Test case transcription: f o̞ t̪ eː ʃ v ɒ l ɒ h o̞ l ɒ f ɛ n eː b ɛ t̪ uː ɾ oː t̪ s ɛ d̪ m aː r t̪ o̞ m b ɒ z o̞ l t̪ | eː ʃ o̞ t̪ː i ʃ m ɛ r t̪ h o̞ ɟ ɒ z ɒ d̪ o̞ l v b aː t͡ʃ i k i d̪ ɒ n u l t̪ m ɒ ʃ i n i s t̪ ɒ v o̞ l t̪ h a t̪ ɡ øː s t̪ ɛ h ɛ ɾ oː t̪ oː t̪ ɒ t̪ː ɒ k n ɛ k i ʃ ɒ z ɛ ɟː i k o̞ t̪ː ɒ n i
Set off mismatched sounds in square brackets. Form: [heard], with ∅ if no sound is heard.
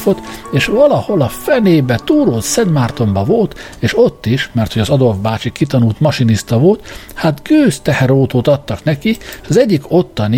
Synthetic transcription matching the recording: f o̞ t̪ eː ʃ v ɒ l ɒ h o̞ l ɒ f ɛ n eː b ɛ t̪ uː ɾ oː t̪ s ɛ d̪ m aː r t̪ o̞ m b ɒ [v] o̞ l t̪ | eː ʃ o̞ t̪ː i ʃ m ɛ r t̪ h o̞ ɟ ɒ z ɒ d̪ o̞ l v b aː t͡ʃ i k i [t̪] ɒ n u l t̪ m ɒ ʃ i n i s t̪ ɒ v o̞ l t̪ h a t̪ ɡ øː s t̪ ɛ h ɛ ɾ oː t̪ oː t̪ ɒ t̪ː ɒ k n ɛ k i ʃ ɒ z ɛ ɟː i k o̞ t̪ː ɒ n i